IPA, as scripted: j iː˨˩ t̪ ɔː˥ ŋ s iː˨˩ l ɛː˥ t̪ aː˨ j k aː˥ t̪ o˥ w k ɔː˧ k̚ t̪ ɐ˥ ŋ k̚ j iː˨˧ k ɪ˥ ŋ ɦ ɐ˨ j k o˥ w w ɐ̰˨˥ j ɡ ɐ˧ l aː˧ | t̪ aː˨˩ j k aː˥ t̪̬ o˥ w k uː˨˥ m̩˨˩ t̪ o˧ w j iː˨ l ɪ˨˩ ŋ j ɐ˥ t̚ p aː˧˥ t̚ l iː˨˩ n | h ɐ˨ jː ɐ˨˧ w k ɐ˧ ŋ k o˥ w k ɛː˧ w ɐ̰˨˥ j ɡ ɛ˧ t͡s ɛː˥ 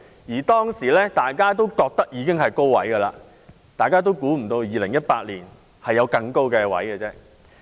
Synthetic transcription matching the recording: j iː˨˩ t̪ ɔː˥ ŋ s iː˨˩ l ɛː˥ t̪ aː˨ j k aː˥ t̪ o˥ w k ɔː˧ k̚ t̪ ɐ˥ k̚ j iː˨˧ k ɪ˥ ŋ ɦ ɐ˨ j k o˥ w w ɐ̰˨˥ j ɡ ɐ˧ l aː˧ | t̪ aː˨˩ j k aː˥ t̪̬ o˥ w k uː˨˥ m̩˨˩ t̪ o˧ w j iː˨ l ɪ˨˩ ŋ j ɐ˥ t̚ p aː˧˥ t̚ l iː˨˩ n | h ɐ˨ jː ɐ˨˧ w k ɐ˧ ŋ k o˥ w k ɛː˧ w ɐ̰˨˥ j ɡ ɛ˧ t͡s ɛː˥